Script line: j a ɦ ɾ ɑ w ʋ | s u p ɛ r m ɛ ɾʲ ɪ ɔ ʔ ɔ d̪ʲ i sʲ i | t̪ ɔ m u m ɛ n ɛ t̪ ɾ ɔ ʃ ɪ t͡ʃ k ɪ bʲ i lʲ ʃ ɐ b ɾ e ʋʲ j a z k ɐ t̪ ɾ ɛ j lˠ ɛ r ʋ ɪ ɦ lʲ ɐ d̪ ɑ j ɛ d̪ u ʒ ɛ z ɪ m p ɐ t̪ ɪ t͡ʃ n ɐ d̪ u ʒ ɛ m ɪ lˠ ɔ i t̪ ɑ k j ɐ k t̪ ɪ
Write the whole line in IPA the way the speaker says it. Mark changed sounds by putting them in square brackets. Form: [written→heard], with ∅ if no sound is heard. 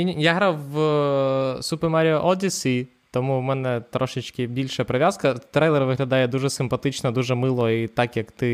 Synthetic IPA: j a ɦ ɾ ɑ w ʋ | s u p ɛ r m ɛ ɾʲ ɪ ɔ ʔ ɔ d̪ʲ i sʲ i | t̪ ɔ m u m ɛ n ɛ t̪ ɾ ɔ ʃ ɪ t͡ʃ k ɪ bʲ i lʲ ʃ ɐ [b→p] ɾ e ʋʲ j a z k ɐ t̪ ɾ ɛ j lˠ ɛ r ʋ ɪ ɦ lʲ ɐ d̪ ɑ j ɛ d̪ u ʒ ɛ [z→s] ɪ m p ɐ t̪ ɪ t͡ʃ n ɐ d̪ u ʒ ɛ m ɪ lˠ ɔ i t̪ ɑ k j ɐ k t̪ ɪ